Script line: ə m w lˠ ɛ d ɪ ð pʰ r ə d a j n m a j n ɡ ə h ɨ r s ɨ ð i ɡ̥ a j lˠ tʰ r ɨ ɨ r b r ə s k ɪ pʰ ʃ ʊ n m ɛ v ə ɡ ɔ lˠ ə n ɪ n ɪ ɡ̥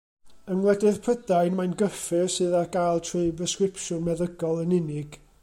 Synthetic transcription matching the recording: ə n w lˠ ɛ d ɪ ð pʰ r ə d a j n m a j n ɡ ə f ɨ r s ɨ ð a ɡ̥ a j lˠ tʰ r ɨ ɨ b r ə s k ɪ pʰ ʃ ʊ n m ɛ ð ə ɡ ɔ lˠ ə n ɪ n ɪ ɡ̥